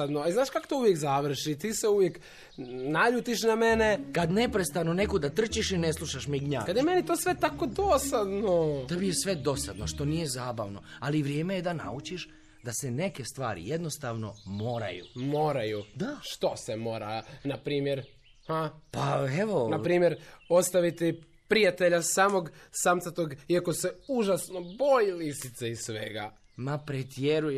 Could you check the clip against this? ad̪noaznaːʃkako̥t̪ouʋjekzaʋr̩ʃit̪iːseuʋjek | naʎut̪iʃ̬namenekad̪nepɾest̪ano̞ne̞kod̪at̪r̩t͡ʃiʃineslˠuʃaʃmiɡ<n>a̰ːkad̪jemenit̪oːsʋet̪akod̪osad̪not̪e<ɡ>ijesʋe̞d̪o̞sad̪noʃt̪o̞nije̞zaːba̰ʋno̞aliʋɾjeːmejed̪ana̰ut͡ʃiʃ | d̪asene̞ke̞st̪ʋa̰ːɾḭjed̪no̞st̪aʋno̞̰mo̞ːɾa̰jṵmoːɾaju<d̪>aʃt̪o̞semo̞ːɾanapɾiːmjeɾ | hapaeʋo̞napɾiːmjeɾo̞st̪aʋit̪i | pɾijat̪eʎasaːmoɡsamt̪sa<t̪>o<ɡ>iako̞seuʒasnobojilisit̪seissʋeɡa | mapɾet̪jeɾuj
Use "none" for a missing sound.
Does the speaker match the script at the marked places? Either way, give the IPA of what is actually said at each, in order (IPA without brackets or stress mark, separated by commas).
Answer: ɲ, b, d̪, t̪, ɡ